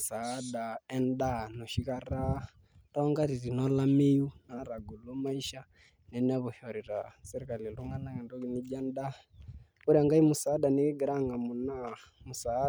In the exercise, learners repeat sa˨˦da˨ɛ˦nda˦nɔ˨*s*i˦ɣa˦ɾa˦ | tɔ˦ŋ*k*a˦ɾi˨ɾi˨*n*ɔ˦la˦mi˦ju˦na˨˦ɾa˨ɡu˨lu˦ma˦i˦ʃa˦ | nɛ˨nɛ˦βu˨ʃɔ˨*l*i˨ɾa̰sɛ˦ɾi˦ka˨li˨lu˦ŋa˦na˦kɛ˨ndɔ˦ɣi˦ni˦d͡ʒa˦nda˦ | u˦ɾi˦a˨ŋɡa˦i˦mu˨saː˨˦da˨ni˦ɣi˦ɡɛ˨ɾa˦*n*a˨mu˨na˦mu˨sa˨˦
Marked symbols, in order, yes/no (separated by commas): no, no, yes, no, no